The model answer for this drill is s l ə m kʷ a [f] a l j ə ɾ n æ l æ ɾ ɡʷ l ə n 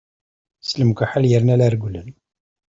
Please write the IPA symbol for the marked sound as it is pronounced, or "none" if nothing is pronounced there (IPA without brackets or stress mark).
ħ